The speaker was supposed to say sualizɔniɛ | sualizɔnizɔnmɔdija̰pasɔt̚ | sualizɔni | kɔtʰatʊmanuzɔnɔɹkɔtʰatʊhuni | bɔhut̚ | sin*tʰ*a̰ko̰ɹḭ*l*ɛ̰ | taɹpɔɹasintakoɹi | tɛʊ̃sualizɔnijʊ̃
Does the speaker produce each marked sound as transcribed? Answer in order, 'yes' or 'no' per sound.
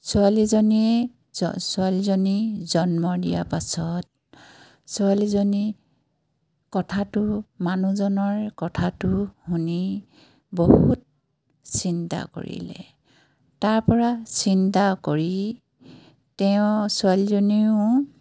no, yes

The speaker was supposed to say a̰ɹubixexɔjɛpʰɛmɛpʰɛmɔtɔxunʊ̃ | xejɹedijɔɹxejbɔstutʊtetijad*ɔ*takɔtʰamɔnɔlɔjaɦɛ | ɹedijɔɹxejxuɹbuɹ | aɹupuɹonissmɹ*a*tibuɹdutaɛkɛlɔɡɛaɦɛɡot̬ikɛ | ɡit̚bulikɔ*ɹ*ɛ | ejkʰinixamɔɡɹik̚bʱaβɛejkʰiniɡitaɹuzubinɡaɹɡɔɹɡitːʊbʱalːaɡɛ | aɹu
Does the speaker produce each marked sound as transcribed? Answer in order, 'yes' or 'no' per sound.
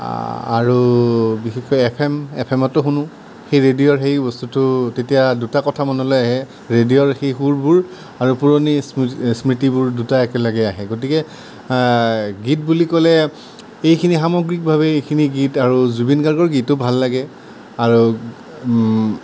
no, no, no

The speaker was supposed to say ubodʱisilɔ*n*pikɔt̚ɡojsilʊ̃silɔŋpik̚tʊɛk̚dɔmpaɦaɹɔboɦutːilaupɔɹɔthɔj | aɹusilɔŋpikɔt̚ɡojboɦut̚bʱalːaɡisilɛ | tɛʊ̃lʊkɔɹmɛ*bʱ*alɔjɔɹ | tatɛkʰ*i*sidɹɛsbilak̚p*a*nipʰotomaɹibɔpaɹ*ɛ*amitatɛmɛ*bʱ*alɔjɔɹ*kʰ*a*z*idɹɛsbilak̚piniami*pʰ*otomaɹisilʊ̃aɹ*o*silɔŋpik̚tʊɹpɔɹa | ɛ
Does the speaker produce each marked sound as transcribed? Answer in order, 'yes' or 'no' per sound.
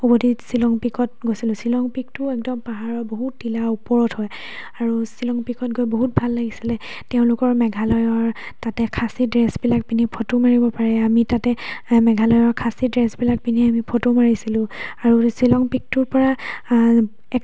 no, no, no, no, yes, no, yes, no, yes, no

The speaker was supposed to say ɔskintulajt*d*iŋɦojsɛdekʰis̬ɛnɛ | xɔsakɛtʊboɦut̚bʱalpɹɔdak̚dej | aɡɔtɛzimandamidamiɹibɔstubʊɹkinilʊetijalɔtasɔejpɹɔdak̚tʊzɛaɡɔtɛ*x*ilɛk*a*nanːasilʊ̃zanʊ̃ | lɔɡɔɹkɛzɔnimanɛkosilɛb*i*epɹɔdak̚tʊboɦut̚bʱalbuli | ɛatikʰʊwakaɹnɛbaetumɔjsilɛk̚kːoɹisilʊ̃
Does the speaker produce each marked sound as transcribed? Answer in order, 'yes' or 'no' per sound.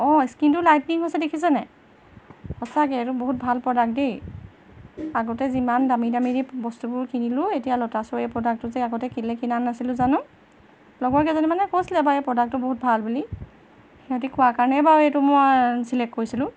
no, no, no, no

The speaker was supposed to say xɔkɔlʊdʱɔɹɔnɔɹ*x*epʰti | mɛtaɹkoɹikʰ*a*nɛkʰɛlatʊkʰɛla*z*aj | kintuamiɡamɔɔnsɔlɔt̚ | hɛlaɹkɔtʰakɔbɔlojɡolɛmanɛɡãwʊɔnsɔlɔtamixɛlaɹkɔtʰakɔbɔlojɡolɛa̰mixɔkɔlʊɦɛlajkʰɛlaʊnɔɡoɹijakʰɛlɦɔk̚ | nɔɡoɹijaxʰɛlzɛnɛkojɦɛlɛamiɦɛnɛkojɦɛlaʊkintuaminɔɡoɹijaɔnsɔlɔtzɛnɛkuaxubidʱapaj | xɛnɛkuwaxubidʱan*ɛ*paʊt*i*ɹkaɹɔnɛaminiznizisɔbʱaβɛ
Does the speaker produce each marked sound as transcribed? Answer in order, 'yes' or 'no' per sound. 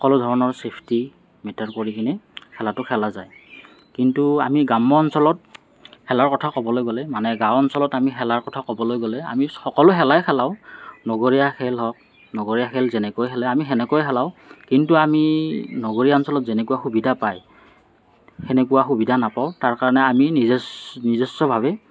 no, no, yes, no, no

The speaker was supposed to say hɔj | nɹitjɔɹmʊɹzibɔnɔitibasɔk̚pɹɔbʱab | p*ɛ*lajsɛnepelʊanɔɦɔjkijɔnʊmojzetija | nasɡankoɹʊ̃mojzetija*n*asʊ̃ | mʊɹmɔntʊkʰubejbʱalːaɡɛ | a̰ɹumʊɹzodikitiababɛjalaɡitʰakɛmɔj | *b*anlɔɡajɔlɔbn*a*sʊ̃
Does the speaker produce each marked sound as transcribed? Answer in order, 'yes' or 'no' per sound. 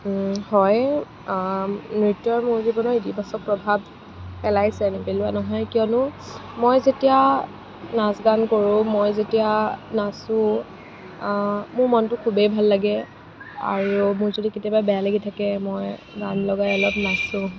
yes, yes, no, yes

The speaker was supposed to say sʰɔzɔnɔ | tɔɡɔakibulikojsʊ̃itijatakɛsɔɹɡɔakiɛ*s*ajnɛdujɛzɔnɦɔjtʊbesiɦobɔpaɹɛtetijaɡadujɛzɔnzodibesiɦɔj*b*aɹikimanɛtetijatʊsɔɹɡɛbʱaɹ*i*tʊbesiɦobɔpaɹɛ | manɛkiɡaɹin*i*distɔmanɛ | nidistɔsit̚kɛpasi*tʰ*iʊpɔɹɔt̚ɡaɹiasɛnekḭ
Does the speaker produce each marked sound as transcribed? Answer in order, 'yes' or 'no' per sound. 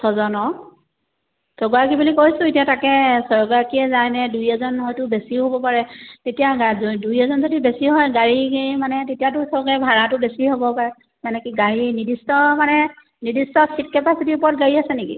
no, no, no, yes, no

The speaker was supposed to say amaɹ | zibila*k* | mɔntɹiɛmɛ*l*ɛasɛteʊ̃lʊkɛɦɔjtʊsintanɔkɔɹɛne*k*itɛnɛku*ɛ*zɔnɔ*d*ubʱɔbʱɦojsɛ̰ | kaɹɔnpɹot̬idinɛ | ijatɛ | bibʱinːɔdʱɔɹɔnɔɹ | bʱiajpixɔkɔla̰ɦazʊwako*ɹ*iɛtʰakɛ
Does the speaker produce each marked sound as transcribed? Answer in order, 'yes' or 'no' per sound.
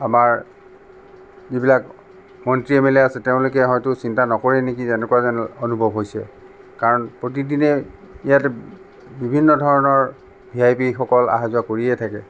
yes, yes, yes, no, no, yes

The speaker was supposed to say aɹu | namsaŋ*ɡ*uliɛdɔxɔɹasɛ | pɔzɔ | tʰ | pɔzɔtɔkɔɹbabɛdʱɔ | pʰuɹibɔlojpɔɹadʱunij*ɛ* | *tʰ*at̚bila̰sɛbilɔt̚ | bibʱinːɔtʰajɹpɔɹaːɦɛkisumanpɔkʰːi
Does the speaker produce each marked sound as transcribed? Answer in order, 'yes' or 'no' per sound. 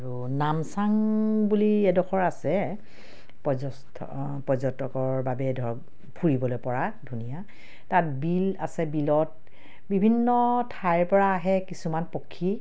no, no, no

